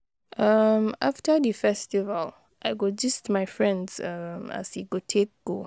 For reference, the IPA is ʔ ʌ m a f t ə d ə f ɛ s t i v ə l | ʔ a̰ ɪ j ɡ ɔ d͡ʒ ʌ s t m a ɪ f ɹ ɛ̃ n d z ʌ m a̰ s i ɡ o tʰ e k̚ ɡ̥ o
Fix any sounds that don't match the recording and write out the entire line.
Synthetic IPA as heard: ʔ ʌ m a f t ə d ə f ɛ s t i v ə l | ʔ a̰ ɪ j ɡ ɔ d͡ʒ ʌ s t m a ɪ f ɹ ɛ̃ n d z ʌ m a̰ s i ɡ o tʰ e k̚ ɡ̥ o